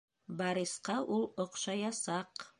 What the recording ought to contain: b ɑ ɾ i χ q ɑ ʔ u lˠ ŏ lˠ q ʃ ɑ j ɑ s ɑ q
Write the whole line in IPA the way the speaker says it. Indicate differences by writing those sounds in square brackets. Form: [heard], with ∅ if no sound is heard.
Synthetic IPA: b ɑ ɾ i [s] q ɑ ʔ u lˠ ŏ [∅] q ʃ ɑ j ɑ s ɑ q